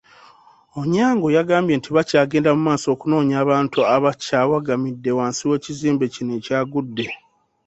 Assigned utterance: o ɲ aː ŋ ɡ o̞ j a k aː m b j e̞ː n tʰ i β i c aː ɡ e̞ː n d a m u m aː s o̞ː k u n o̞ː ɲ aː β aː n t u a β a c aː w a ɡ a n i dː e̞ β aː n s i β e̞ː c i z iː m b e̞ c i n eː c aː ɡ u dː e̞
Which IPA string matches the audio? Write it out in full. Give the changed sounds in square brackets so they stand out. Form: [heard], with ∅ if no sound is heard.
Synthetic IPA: o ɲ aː ŋ ɡ o̞ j a [ɡ] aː m b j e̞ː n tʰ i β [a] c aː ɡ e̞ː n d a m u m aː s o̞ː k u n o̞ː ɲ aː β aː n t u a β a c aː w a ɡ a [m] i dː e̞ [w] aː n s i [w] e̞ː c i z iː m b e̞ c i n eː c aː ɡ u dː e̞